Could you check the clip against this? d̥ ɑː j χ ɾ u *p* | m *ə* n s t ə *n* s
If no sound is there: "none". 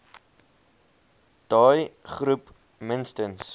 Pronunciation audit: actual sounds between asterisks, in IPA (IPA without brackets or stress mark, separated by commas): p, ə, n